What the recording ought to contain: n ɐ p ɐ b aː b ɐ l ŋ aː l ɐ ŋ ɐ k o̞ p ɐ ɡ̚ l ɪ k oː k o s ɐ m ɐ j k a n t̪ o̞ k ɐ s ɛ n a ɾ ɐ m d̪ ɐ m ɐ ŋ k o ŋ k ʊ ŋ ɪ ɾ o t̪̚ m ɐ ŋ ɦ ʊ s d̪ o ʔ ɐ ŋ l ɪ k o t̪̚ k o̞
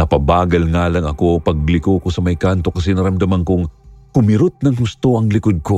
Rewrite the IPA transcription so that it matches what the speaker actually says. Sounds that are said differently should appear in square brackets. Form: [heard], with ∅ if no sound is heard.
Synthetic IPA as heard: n ɐ p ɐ b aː [ɡ] ɐ l ŋ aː l ɐ ŋ ɐ k o̞ p ɐ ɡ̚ l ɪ k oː k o s ɐ m ɐ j k a n t̪ o̞ k ɐ s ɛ n [ɐ] ɾ ɐ m d̪ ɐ m ɐ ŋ k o ŋ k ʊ [m] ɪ ɾ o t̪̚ [n] ɐ ŋ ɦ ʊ s [t̪] o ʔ ɐ ŋ l ɪ k o [d̪̚] k o̞